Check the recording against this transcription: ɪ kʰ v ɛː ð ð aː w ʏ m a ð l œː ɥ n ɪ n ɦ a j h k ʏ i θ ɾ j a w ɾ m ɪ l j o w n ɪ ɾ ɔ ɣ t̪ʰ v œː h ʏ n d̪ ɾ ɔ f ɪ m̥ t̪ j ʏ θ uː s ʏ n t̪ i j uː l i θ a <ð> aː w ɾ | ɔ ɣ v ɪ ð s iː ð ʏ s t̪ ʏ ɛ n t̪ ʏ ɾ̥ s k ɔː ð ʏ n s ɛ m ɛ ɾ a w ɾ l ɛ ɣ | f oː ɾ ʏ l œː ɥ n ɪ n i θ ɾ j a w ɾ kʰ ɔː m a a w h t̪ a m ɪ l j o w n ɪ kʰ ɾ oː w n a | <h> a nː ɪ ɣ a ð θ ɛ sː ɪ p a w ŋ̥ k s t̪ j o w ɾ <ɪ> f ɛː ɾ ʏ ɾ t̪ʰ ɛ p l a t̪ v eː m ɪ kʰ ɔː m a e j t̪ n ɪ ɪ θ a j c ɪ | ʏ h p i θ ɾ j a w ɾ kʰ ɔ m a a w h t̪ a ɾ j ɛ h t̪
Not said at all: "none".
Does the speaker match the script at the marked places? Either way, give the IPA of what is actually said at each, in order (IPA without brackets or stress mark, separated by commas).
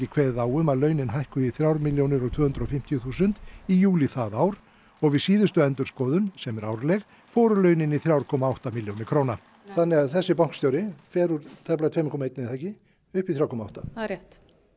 ð, θ, ɪ